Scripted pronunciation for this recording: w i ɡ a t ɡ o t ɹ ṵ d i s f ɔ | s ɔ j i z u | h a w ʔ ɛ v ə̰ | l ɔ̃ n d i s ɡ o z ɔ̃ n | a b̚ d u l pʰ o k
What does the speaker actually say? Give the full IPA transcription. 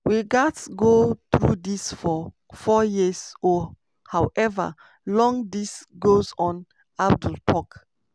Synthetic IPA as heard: w i ɡ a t ɡ o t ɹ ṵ d i s f ɔ | f ɔ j i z ɔ | h a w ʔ ɛ v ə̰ | l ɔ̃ ŋ d i s ɡ o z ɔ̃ n | a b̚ d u l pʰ ɔ k